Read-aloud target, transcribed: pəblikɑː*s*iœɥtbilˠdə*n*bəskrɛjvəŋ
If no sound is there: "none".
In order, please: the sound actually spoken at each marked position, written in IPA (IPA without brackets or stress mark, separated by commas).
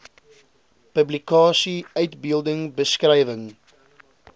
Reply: s, ŋ